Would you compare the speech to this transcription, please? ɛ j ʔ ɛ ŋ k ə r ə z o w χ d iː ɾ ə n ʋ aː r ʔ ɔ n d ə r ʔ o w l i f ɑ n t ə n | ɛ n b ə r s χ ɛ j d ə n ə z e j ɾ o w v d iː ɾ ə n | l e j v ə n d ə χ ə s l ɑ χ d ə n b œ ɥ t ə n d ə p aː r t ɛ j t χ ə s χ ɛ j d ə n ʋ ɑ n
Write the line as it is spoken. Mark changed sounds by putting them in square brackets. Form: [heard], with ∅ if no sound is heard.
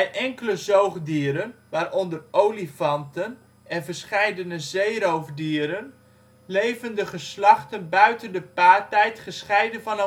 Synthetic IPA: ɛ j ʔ ɛ ŋ k ə [l] ə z o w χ d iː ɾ ə n ʋ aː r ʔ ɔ n d ə r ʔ o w l i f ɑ n t ə n | ɛ n [v] ə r s χ ɛ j d ə n ə z e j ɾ o w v d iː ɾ ə n | l e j v ə n d ə χ ə s l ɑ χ [t] ə n b œ ɥ t ə n d ə p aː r t ɛ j t χ ə s χ ɛ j d ə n [v] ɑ n

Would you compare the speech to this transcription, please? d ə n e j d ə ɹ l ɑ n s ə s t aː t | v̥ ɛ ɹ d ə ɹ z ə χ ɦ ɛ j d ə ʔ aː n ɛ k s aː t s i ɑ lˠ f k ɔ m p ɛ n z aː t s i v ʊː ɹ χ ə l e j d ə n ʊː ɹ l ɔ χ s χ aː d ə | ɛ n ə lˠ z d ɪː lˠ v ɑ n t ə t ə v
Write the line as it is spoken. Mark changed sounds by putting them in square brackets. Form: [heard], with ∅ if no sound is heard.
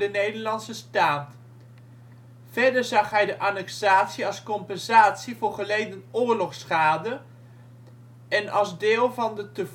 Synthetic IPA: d ə n e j d ə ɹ l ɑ n s ə s t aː t | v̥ ɛ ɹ d ə ɹ z [ɑ] χ ɦ ɛ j d ə ʔ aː n ɛ k s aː t s i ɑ lˠ [s] k ɔ m p ɛ n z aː t s i v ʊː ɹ χ ə l e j d ə n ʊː ɹ l ɔ χ s χ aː d ə | ɛ n [ɑ] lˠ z d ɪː lˠ v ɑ n [d] ə t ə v

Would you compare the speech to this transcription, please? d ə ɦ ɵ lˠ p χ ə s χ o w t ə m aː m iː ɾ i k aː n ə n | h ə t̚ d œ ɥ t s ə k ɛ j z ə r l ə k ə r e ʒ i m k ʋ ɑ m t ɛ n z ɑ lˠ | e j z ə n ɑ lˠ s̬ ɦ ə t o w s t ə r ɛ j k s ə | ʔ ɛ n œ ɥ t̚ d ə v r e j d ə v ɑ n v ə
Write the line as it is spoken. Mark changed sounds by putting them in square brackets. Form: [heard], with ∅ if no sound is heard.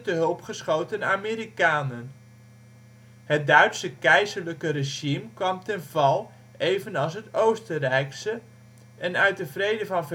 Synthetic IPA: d ə ɦ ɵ lˠ p χ ə s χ o w t ə [n] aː m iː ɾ i k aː n ə n | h ə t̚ d œ ɥ t s ə k ɛ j z ə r l ə k ə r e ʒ i m k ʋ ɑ m t ɛ n [v] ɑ lˠ | e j [v] ə n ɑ lˠ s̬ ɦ ə t o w s t ə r ɛ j k s ə | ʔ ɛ n œ ɥ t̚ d ə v r e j d ə v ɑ n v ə

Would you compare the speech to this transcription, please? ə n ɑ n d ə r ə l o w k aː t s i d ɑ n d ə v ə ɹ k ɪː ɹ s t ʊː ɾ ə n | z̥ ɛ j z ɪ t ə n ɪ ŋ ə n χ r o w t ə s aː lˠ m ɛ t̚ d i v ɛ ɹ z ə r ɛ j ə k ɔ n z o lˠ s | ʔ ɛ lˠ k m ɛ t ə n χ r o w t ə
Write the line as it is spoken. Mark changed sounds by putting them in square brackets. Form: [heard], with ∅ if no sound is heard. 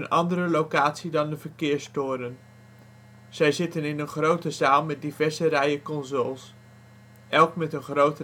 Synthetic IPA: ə n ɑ n d ə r ə l o w k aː t s i d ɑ n d ə v ə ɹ k ɪː ɹ s t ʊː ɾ ə n | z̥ ɛ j z ɪ t ə n ɪ [n] ə n χ r o w t ə [z] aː lˠ m ɛ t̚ d i v ɛ ɹ z ə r ɛ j ə k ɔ n z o lˠ s | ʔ ɛ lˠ k m ɛ t ə n χ r o w t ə

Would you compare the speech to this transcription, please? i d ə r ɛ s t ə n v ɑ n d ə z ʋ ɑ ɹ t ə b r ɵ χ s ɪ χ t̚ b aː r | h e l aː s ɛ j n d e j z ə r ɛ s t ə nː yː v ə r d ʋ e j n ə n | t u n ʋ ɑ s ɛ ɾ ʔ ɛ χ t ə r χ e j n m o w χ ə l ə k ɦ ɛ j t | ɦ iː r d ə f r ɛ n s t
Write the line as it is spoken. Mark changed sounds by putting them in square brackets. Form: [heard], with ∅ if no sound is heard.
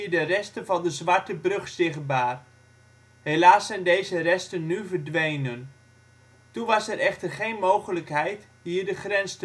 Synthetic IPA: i d ə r ɛ s t ə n v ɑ n d ə z ʋ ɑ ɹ t ə b r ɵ χ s ɪ χ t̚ b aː r | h e l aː s ɛ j n d e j z ə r ɛ s t ə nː [y] v ə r d ʋ e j n ə n | t u n ʋ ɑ s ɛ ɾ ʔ ɛ χ t ə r χ e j n m o w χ ə l ə k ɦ ɛ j t | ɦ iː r d ə [χ] r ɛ n s t

